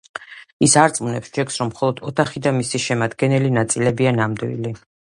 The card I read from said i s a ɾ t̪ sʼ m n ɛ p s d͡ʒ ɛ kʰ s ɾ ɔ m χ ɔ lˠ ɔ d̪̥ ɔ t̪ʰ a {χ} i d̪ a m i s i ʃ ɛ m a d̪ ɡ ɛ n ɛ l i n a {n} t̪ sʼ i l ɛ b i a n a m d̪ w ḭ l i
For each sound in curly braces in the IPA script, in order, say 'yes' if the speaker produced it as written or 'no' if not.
yes, no

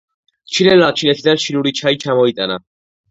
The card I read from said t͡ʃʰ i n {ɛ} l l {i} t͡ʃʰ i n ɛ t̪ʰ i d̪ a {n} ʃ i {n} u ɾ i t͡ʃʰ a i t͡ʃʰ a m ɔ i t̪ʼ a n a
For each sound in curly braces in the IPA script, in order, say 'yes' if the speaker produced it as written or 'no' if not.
yes, no, yes, yes

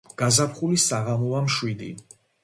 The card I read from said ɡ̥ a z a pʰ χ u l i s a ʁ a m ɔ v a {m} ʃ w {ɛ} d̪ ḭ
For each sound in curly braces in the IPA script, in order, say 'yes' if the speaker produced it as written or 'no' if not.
yes, no

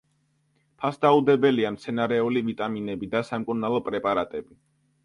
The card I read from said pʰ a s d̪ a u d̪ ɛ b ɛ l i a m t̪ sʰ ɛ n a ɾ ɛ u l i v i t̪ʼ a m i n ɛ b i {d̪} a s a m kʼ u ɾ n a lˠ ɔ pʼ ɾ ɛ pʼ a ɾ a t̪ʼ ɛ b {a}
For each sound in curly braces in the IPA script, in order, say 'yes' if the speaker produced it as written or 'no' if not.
yes, no

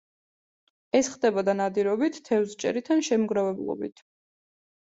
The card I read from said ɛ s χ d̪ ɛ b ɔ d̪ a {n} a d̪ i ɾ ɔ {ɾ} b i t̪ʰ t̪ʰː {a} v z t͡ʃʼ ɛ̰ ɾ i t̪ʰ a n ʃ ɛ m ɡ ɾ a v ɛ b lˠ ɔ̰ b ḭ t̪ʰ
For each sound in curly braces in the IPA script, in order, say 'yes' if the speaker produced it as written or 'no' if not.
yes, no, no

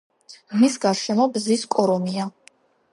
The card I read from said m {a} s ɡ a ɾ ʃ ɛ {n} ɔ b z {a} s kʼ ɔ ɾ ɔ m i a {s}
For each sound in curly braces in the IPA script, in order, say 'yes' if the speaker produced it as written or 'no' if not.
no, no, no, no

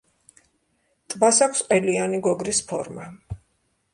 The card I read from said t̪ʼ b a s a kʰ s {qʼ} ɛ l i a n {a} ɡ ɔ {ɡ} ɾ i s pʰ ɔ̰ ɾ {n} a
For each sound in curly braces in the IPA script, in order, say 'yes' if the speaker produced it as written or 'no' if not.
yes, no, yes, no

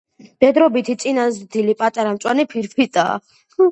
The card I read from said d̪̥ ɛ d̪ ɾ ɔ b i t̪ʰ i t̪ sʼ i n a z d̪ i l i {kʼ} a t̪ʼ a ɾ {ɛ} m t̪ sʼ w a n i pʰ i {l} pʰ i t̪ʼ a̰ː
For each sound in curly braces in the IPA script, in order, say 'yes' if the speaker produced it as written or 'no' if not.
no, no, no

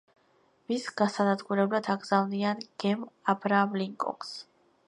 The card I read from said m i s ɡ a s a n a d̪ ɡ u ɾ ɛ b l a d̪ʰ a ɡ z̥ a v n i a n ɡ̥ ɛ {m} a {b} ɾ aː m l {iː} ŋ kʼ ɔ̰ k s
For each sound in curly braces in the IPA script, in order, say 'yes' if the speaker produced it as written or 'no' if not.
yes, yes, no

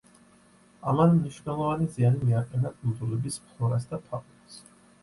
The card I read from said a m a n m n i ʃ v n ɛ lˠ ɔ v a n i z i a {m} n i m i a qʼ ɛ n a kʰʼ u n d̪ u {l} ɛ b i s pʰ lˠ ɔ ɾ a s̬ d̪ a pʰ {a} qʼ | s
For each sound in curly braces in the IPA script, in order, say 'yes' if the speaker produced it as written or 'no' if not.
no, yes, yes

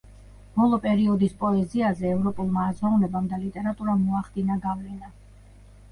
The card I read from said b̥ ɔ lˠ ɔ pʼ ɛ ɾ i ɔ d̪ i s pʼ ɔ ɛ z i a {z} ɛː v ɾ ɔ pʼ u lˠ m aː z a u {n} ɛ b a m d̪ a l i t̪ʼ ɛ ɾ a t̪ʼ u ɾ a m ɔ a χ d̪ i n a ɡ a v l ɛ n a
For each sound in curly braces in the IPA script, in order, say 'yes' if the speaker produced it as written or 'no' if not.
yes, yes

